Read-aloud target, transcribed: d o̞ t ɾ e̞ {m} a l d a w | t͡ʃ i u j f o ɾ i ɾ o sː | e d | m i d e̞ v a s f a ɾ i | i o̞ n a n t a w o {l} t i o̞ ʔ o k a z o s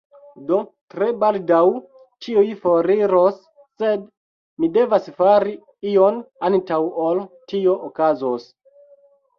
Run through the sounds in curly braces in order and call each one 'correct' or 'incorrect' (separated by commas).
incorrect, correct